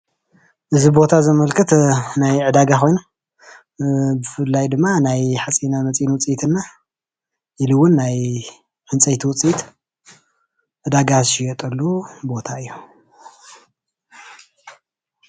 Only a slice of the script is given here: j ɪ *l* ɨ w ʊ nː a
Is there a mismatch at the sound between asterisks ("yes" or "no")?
no